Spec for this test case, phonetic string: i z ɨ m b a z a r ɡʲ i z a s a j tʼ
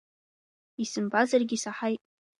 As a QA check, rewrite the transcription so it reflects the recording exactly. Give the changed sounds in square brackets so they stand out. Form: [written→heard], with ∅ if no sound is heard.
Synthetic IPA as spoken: i [z→s] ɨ m b a z a r ɡʲ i [z→s] a [s→ħ] a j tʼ